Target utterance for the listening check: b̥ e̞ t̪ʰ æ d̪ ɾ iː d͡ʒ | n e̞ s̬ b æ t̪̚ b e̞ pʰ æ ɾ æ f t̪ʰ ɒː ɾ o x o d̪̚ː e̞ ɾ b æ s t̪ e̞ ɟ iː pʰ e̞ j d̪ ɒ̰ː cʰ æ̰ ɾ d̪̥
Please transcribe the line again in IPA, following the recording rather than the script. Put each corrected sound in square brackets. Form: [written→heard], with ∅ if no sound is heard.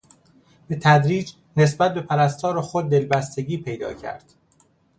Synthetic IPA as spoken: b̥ e̞ t̪ʰ æ d̪ ɾ iː d͡ʒ | n e̞ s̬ b æ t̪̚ b e̞ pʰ æ ɾ æ [f→s] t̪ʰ ɒː ɾ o x o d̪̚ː e̞ [ɾ→l] b æ s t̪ e̞ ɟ iː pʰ e̞ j d̪ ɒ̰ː cʰ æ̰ ɾ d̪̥